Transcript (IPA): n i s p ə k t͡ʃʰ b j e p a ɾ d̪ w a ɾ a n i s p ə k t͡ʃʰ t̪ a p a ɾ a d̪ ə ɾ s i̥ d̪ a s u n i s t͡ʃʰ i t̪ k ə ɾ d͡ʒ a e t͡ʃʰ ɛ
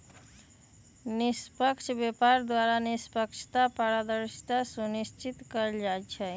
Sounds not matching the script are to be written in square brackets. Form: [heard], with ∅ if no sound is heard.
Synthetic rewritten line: n i s p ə k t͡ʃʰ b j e p a ɾ d̪ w a ɾ a n i s p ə k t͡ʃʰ t̪ a p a ɾ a d̪ ə ɾ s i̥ [t̪] a s u n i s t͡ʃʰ i t̪ k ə ɾ d͡ʒ a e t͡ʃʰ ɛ

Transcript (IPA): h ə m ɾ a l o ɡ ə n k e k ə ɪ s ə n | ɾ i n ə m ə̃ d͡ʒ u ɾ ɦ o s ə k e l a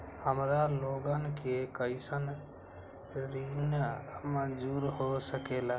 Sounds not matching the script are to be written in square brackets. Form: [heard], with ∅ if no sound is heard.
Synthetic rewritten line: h ə m ɾ a l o ɡ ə n k e k ə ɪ s ə n | ɾ i n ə m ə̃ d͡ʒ u ɾ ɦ o s ə k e l a

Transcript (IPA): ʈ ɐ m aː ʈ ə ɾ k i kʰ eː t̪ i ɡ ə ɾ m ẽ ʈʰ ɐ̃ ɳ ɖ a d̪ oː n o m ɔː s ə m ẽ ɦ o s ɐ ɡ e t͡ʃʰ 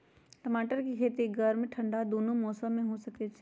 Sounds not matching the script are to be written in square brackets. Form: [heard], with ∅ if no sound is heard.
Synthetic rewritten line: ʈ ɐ m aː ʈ ə ɾ k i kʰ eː t̪ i ɡ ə ɾ m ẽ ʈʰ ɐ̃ ɳ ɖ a d̪ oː n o m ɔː s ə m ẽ ɦ o s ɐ [k] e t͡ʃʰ

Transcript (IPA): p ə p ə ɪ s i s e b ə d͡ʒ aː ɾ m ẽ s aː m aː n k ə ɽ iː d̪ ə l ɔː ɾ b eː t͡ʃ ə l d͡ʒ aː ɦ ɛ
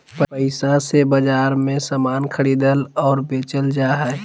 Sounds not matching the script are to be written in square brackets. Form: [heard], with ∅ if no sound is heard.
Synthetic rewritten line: p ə p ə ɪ s [a] s e b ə d͡ʒ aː ɾ m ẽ s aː m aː n [kʰ] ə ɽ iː d̪ ə l ɔː ɾ b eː t͡ʃ ə l d͡ʒ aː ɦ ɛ

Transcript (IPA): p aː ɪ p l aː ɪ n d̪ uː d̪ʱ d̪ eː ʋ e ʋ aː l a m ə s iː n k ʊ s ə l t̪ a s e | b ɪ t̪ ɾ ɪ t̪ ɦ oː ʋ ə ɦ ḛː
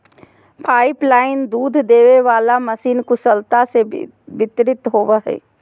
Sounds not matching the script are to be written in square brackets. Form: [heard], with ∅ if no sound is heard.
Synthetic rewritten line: [pʰ] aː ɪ p l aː ɪ n d̪ uː d̪ʱ d̪ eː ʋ e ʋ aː l a m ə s iː n k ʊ s ə l t̪ a s e | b ɪ t̪ ɾ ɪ t̪ ɦ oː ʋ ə ɦ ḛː

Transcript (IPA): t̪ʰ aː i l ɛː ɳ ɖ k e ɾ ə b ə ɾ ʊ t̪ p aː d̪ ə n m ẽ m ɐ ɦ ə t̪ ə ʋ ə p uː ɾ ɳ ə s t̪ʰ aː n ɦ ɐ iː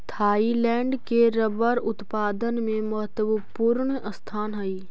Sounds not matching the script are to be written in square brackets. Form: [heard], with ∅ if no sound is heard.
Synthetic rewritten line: t̪ʰ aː i l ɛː ɳ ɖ k e ɾ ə b ə ɾ ʊ t̪ p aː d̪ ə n m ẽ m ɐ ɦ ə t̪ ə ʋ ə p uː ɾ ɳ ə s t̪ʰ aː n ɦ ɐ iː

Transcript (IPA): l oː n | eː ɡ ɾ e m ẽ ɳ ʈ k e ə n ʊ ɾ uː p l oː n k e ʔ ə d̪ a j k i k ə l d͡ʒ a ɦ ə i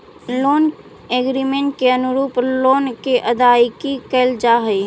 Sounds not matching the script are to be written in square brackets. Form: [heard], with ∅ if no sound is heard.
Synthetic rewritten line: l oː n | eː ɡ ɾ [i] m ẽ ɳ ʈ k e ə n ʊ ɾ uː p l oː n k e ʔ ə d̪ a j k i k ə l d͡ʒ a ɦ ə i

